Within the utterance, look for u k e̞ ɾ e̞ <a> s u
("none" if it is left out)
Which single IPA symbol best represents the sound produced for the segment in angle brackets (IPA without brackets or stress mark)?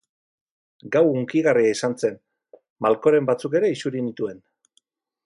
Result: i